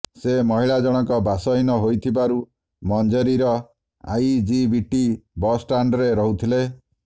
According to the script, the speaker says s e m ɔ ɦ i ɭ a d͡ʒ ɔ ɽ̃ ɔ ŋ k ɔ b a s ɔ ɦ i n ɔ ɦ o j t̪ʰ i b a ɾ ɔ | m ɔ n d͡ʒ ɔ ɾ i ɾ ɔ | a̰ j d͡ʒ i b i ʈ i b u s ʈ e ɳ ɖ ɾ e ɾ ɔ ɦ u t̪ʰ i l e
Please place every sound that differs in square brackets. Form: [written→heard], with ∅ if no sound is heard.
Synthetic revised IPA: s e m ɔ ɦ i ɭ a d͡ʒ ɔ ɽ̃ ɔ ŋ k ɔ b a s ɔ ɦ i n ɔ ɦ o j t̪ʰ i b a ɾ [ɔ→u] | m ɔ n d͡ʒ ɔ ɾ i ɾ ɔ | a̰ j d͡ʒ i b i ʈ i b [u→ɔ] s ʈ [e→a] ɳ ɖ ɾ e ɾ ɔ ɦ u t̪ʰ i l e